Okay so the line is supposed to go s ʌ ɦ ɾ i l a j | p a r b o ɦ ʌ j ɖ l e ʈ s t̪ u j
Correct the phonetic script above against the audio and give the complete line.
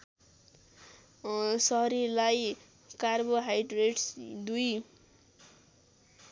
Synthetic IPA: s ʌ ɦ ɾ i l a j | k a r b o ɦ a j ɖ r e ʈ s d̪ u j